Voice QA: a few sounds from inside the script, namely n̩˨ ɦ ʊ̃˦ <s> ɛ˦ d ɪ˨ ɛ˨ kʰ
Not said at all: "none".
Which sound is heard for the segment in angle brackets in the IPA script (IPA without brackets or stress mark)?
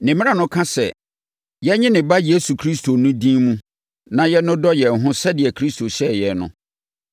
s